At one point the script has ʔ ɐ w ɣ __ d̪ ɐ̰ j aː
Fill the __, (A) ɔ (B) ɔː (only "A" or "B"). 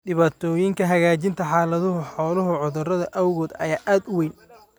B